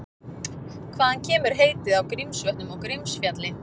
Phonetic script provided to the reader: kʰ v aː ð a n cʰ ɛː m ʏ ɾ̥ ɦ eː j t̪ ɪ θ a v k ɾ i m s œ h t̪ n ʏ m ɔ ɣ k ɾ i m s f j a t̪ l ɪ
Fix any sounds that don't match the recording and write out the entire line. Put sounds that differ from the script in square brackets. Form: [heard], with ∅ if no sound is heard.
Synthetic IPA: kʰ v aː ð a n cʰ ɛː m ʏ ɾ̥ ɦ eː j t̪ ɪ [ð] a [w] k ɾ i m s œ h t̪ n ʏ m ɔ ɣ k ɾ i m s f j a t̪ l ɪ